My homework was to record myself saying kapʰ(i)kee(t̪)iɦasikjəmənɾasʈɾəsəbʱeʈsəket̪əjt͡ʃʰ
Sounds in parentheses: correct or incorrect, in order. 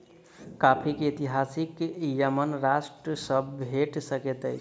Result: correct, correct

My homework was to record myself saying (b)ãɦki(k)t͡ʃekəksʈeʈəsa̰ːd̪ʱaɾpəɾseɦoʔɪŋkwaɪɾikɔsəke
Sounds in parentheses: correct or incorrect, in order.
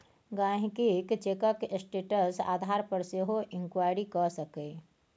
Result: incorrect: ɡ, correct

